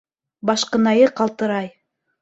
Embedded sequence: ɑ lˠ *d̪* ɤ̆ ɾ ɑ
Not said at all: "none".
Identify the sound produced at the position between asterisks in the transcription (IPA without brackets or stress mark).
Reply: t̪